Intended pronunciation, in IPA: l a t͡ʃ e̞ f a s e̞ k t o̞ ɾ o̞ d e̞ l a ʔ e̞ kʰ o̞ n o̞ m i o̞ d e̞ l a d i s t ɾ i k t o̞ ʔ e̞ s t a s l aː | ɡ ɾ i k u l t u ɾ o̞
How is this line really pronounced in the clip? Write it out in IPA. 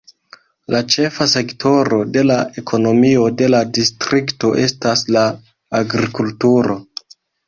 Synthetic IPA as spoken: l a t͡ʃ e̞ f a s e̞ k t o̞ ɾ o̞ d e̞ l a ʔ e̞ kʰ o̞ n o̞ m i o̞ d e̞ l a d i s t ɾ i k t o̞ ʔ e̞ s t a s l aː | ɡ ɾ i k u l t u ɾ o̞